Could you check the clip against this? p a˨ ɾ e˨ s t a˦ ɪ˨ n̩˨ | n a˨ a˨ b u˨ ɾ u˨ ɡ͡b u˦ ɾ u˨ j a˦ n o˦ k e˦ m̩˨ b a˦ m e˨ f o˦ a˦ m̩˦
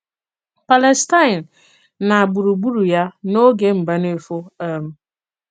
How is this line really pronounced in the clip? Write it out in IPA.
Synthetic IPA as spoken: p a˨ l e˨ s t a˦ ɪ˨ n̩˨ | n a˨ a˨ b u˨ ɾ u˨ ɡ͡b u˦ ɾ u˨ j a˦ n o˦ ɡ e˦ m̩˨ b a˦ n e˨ f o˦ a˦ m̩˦